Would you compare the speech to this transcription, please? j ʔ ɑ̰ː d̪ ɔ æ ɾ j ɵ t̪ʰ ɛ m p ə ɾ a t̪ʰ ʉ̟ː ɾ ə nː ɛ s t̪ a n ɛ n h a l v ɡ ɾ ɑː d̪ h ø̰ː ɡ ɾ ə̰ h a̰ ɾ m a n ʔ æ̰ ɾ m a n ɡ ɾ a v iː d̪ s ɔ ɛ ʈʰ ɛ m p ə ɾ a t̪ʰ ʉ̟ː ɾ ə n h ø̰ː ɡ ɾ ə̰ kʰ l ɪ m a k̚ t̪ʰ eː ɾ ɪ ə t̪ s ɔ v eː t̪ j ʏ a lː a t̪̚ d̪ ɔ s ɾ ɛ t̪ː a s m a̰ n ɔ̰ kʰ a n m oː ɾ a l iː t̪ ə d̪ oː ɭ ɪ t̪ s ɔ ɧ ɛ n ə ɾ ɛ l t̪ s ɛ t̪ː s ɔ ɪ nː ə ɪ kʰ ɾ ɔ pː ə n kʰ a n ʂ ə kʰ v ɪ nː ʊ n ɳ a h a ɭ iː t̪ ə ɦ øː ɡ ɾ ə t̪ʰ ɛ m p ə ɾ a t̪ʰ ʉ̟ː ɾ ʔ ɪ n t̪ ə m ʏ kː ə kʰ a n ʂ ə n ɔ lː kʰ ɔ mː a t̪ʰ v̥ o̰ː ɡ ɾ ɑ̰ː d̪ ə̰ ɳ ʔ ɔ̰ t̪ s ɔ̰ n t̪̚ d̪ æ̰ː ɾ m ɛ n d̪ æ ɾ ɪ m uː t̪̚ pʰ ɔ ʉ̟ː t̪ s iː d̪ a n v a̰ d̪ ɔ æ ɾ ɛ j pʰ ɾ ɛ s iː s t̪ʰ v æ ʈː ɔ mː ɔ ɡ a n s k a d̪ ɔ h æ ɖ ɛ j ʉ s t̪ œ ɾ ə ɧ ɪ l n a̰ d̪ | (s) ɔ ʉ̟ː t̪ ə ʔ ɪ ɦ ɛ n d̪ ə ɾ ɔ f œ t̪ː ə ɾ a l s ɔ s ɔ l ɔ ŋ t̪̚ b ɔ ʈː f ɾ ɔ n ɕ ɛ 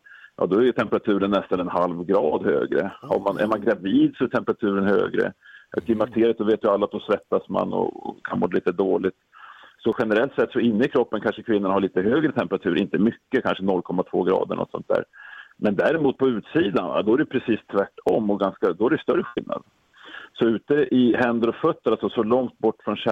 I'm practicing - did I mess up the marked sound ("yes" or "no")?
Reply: no